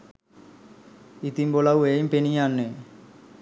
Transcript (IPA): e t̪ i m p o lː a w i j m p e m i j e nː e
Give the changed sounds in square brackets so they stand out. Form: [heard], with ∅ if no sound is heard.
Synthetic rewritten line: [i] t̪ i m [b] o [l] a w [e] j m p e [n] i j [a] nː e

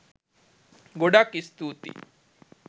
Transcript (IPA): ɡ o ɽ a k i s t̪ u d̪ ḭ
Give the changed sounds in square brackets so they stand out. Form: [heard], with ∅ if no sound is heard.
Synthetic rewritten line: ɡ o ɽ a k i s t̪ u [t̪] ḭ

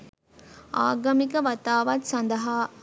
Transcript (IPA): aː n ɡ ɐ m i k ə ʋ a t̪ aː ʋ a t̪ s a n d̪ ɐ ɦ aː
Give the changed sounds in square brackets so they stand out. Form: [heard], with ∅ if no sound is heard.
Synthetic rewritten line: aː [∅] ɡ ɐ m i k ə ʋ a t̪ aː ʋ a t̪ s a n d̪ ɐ ɦ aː

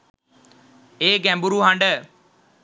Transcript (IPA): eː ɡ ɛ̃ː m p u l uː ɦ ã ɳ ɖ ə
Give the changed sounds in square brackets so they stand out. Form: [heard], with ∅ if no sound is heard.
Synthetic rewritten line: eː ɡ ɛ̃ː m [b] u [ɾ] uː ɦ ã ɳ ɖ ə

